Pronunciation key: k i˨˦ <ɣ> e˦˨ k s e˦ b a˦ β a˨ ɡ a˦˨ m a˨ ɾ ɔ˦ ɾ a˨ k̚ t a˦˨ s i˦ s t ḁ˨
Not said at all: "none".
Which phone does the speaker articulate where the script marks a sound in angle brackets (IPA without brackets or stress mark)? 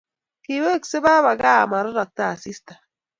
w